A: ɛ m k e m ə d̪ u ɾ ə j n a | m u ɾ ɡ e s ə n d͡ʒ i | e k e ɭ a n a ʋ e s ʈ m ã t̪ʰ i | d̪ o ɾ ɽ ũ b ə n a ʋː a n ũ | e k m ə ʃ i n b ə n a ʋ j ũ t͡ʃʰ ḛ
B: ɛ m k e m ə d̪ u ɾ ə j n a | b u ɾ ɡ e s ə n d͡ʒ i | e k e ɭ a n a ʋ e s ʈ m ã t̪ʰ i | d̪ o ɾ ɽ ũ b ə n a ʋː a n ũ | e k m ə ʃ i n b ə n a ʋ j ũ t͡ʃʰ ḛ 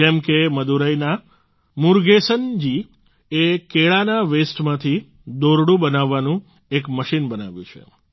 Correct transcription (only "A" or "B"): A